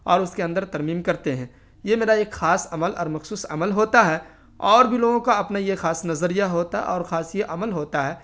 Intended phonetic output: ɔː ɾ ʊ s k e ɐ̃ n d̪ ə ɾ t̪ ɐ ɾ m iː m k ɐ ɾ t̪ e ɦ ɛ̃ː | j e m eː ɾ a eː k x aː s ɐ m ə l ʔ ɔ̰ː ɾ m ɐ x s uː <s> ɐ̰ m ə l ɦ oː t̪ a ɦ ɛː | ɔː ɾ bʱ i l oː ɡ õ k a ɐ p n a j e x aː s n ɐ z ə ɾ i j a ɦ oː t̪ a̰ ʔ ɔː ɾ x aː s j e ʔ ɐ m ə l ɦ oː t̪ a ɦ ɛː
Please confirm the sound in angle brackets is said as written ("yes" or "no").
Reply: yes